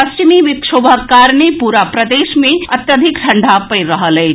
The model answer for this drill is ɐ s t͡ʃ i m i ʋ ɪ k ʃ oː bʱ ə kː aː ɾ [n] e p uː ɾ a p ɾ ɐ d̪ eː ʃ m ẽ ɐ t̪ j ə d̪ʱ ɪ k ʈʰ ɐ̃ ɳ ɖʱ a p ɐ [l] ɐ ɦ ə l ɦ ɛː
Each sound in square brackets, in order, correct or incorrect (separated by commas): correct, incorrect